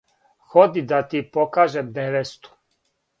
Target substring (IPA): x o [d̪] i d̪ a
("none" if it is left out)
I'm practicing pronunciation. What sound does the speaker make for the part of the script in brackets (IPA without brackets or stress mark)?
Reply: d̪